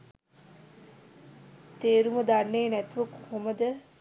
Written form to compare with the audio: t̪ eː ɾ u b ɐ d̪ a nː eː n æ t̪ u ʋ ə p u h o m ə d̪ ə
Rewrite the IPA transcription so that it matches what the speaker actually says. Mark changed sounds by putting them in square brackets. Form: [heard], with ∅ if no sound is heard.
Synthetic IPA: t̪ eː ɾ u [m] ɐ d̪ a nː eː n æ t̪ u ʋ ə [k] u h o m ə d̪ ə